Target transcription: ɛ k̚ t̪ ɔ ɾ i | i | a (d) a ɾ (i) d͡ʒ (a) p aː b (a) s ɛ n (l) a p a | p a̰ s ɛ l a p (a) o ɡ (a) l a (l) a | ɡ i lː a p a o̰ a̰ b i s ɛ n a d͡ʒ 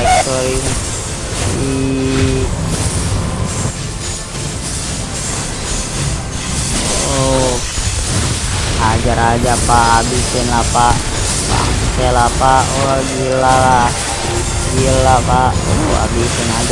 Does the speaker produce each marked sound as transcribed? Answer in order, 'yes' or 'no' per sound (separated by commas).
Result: no, no, yes, no, yes, yes, no, yes